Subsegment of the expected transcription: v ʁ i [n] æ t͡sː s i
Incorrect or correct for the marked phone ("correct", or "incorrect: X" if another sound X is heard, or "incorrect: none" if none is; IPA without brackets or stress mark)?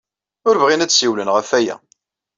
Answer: correct